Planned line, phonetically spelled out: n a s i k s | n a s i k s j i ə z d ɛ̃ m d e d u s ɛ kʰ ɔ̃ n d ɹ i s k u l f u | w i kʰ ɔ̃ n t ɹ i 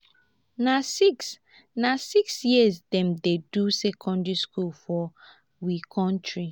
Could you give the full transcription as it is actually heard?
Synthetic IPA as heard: n a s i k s | n a s i k s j i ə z d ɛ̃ m d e d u s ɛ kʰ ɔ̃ n d ɹ i s k u l f ɔ | w i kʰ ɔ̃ n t ɹ i